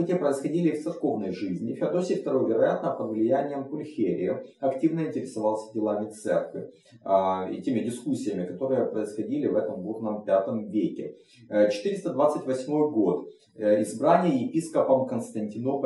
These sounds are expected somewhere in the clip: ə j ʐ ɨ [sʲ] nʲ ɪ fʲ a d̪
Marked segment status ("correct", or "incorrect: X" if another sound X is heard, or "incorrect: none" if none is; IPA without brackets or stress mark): incorrect: zʲ